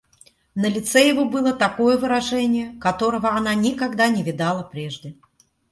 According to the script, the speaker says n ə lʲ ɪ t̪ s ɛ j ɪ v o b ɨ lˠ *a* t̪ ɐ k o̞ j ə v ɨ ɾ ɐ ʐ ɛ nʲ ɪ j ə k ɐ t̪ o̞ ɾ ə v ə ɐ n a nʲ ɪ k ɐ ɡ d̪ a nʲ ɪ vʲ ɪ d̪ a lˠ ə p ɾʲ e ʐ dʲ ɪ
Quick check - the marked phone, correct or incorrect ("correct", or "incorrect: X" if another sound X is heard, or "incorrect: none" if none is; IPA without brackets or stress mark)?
incorrect: ə